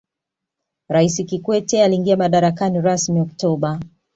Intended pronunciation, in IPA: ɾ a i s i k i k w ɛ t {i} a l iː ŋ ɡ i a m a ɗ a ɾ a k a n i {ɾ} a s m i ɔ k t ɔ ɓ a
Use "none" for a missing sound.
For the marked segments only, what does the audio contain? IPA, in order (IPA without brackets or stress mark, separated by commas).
ɛ, ɾ